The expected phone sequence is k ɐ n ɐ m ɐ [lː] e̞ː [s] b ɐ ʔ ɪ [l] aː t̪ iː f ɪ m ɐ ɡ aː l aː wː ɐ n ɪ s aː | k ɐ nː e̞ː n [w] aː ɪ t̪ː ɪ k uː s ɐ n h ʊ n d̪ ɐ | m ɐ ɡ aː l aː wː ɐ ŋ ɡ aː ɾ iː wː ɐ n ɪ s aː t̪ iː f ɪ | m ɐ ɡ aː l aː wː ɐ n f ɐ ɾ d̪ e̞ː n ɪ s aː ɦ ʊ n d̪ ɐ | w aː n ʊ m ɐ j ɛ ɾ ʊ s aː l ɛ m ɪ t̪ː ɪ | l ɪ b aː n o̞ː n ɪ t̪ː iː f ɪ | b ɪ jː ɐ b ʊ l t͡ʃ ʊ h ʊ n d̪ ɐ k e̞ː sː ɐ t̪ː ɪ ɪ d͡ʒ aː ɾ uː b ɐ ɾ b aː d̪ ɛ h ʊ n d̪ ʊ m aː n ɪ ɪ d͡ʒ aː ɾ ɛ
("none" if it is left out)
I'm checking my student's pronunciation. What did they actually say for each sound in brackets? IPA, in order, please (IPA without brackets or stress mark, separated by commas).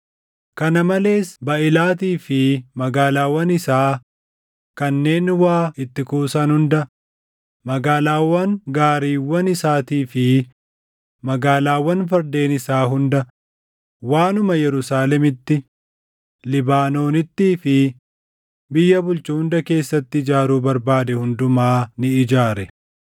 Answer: l, s, l, w